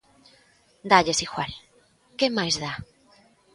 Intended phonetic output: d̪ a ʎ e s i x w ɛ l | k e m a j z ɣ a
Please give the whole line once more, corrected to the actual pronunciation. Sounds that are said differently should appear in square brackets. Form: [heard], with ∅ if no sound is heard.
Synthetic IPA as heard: d̪ a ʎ e s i x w [a] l | k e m a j z [ð] a